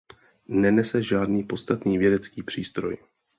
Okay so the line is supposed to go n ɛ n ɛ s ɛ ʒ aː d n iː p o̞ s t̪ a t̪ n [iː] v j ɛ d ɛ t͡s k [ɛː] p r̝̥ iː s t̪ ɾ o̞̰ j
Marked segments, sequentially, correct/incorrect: correct, incorrect

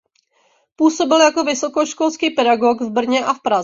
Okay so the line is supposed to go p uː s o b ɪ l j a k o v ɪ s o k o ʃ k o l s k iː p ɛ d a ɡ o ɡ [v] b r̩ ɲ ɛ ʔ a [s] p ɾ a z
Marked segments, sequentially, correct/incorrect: correct, incorrect

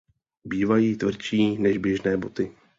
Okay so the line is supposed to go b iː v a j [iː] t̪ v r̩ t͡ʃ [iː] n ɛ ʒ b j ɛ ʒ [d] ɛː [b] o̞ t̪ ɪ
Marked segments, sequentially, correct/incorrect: correct, correct, incorrect, correct

